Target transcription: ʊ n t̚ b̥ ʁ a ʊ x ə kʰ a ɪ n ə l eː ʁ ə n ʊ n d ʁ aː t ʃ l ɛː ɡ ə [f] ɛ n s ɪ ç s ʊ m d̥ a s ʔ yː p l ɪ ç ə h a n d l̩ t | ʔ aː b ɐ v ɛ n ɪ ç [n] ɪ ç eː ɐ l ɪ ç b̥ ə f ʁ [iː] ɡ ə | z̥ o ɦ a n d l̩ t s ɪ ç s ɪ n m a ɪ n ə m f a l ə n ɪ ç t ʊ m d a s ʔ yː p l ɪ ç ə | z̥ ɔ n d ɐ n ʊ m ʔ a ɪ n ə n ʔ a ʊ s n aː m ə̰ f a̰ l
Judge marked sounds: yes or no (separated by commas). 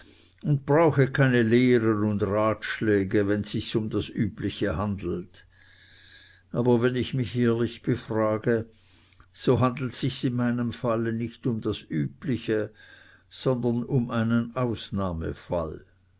no, no, no